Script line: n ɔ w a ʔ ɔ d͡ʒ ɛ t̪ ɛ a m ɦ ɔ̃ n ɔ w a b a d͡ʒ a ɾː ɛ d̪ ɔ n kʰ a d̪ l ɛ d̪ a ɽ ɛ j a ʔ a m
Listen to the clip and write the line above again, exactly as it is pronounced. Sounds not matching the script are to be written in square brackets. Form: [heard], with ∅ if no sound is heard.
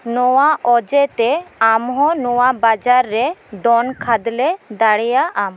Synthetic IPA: n ɔ w a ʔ ɔ d͡ʒ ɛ t̪ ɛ a m ɦ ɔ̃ n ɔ w a b a d͡ʒ a ɾː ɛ d̪ ɔ n kʰ a d̪ l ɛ d̪ a ɽ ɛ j a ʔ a m